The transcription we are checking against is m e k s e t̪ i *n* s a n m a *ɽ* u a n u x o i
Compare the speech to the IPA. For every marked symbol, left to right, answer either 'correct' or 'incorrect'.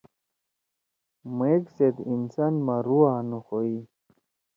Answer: correct, incorrect

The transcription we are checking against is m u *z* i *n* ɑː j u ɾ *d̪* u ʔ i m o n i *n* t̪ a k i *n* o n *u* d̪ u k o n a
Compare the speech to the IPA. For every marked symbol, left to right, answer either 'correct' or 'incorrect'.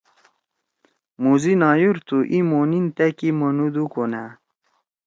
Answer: correct, correct, incorrect, correct, incorrect, correct

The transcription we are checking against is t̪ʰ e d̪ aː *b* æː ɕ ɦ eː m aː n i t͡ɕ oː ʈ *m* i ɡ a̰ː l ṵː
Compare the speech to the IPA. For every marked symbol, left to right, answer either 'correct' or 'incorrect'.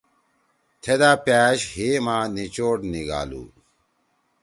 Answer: incorrect, incorrect

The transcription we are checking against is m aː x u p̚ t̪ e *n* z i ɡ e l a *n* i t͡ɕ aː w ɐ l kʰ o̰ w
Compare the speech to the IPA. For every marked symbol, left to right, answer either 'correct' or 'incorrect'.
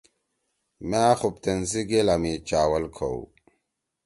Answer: correct, incorrect

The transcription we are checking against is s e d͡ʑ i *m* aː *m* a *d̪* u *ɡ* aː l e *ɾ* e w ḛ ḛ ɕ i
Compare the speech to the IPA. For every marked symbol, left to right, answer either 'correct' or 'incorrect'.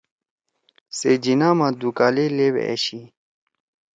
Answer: incorrect, correct, correct, incorrect, incorrect

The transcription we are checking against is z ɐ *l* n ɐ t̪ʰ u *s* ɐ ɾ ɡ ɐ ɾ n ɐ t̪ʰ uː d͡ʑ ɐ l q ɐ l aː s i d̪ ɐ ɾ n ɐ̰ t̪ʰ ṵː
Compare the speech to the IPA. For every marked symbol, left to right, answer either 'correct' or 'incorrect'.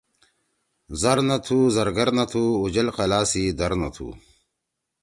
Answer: incorrect, incorrect

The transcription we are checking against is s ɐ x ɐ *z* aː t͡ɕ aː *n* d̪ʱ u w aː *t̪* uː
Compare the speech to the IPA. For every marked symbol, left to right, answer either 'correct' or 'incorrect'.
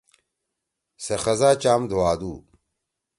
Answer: correct, incorrect, incorrect

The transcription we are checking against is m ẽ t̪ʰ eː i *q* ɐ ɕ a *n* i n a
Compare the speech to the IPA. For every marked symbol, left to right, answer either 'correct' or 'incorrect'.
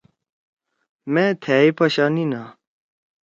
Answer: incorrect, correct

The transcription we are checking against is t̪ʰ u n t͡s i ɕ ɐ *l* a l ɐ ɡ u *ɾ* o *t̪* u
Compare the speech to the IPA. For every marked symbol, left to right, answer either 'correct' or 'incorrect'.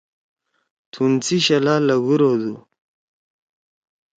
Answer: correct, correct, incorrect

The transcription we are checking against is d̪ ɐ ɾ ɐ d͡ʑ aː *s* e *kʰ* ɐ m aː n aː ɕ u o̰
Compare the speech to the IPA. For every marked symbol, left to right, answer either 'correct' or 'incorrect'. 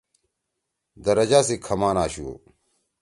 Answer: correct, correct

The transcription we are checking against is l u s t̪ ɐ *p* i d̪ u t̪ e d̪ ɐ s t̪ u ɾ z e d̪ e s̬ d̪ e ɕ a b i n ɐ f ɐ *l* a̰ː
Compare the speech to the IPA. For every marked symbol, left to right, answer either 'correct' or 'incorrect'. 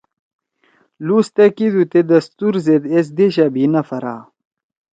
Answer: incorrect, incorrect

